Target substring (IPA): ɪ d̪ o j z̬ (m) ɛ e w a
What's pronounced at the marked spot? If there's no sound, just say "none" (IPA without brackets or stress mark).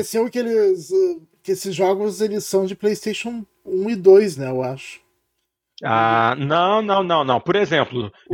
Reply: n